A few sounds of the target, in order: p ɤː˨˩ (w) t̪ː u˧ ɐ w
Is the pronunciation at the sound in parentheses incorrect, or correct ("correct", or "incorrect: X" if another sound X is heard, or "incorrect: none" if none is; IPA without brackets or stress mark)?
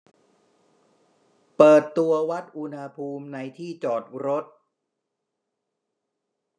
incorrect: none